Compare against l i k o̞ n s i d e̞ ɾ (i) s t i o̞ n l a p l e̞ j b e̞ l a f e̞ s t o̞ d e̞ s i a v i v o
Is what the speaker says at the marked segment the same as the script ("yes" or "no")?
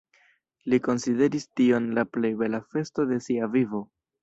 yes